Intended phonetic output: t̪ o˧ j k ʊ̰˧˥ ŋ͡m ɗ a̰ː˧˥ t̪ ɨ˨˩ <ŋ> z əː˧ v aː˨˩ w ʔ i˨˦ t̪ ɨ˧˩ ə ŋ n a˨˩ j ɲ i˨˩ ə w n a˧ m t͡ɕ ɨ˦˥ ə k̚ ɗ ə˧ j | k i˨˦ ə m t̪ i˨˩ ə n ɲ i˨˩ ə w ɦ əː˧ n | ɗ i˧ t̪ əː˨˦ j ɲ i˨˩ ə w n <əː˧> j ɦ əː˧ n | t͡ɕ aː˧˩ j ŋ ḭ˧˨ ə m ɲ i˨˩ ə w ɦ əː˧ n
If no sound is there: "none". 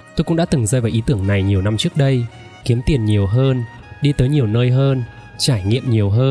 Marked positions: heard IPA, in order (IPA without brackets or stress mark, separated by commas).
ŋ, əː˧